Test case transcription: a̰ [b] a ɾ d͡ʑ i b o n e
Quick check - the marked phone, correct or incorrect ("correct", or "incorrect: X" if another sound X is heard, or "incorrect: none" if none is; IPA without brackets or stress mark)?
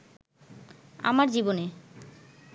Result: incorrect: m